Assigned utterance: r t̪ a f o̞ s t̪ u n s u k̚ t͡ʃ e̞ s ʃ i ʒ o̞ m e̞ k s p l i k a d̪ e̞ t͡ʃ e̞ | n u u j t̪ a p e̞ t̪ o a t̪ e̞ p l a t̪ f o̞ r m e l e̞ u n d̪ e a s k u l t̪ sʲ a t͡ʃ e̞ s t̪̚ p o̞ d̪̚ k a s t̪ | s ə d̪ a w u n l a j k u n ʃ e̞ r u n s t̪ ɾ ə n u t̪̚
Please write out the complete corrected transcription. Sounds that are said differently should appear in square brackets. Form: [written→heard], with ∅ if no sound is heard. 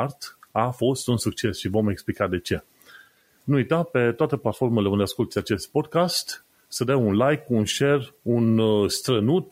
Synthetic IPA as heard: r t̪ a f o̞ s t̪ u n s u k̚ t͡ʃ e̞ s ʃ i [ʒ→v] o̞ m e̞ k s p l i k a d̪ e̞ t͡ʃ e̞ | n u u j t̪ a p e̞ t̪ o a t̪ e̞ p l a t̪ f o̞ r m e l e̞ u n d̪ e a s k u l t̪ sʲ a t͡ʃ e̞ s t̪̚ p o̞ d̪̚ k a s t̪ | s ə d̪ a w u n l a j k u n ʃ e̞ r u n s t̪ ɾ ə n u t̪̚